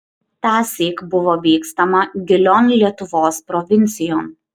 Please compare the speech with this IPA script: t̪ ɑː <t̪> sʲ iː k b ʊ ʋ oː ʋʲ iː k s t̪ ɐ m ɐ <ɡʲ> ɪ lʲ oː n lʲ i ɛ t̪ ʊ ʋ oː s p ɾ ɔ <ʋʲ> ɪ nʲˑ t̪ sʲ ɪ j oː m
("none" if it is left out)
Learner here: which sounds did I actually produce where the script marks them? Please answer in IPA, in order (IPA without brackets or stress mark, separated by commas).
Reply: none, ɡʲ, ʋʲ